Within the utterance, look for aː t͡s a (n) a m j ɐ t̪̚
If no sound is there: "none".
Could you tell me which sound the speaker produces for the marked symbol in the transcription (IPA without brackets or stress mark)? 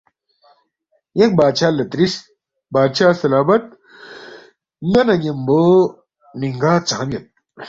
none